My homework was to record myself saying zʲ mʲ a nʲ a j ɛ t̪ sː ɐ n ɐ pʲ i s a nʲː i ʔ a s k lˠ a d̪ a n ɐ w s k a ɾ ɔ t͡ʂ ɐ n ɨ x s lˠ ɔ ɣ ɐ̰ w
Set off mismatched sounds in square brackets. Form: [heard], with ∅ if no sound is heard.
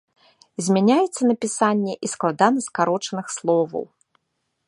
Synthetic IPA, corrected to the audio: zʲ mʲ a nʲ a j ɛ t̪ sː ɐ n ɐ pʲ i s a nʲː [ɛ] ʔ [i] s k lˠ a d̪ a n ɐ [∅] s k a ɾ ɔ t͡ʂ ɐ n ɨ x s lˠ ɔ [v] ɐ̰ w